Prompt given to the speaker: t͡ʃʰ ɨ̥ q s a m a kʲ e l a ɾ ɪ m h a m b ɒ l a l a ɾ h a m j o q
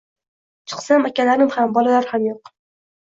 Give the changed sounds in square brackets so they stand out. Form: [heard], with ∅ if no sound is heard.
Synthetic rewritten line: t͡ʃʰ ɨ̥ q s a m a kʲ [a] l a ɾ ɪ m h a m b ɒ l a l a ɾ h a m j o q